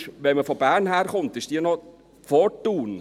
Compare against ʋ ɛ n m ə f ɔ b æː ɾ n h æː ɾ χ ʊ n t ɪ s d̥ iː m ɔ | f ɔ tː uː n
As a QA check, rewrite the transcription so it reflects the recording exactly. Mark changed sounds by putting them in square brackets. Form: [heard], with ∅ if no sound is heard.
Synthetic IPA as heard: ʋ ɛ n m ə f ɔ b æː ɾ n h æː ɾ χ ʊ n t ɪ [ʃ] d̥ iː [n] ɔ | f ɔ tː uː n